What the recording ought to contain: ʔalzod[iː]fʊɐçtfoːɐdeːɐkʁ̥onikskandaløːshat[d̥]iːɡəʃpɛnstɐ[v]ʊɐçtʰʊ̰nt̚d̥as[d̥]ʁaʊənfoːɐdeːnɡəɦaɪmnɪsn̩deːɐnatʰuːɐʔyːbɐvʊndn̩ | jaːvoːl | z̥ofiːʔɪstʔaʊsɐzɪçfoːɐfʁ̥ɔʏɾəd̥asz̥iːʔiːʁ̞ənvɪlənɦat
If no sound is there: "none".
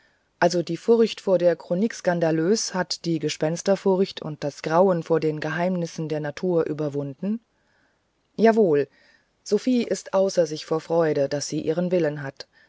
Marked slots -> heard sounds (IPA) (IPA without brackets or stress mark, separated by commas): iː, d̥, f, ɡ̥